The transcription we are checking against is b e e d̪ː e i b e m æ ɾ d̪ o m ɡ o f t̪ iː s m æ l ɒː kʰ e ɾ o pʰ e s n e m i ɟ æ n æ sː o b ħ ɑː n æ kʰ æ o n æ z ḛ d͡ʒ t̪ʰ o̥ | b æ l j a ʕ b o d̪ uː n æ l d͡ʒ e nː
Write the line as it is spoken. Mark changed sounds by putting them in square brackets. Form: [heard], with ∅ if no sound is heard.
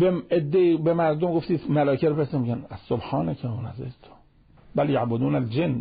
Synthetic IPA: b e e d̪ː e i b e m æ ɾ d̪ o m ɡ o f t̪ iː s m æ l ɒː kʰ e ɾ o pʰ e s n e m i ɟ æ n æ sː o b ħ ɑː n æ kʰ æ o n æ z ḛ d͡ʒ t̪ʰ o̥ | b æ l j a ʕ b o d̪ uː n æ l d͡ʒ e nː